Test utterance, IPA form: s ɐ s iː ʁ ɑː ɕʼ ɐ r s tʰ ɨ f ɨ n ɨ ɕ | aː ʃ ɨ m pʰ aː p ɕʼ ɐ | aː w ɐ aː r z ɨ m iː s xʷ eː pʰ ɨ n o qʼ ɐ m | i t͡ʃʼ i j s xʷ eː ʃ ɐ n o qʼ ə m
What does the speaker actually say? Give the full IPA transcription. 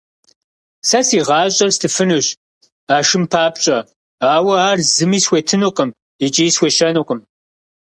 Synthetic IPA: s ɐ s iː ʁ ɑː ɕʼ ɐ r s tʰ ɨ f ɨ n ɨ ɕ | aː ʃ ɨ m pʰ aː p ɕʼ ɐ | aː w ɐ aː r z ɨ m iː s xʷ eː tʰ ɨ n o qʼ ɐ m | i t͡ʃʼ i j s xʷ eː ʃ ɐ n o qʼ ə m